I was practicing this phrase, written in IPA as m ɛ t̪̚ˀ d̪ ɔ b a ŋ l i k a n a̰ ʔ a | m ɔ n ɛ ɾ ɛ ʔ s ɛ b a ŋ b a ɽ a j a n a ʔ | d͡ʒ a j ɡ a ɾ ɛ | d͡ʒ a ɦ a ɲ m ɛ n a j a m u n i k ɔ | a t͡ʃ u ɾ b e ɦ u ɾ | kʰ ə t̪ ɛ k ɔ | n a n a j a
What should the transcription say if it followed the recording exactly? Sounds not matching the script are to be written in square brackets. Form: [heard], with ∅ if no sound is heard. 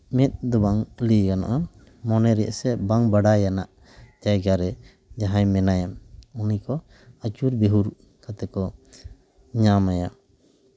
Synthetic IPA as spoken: m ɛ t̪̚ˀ d̪ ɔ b a ŋ l i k a n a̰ ʔ a | m ɔ n ɛ ɾ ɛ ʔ s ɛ b a ŋ b a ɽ a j a n a ʔ | d͡ʒ a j ɡ a ɾ ɛ | d͡ʒ a ɦ a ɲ m ɛ n a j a m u n i k ɔ | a t͡ʃ u ɾ b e ɦ u ɾ | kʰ [a] t̪ ɛ k ɔ | [ɲ] a [m] a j a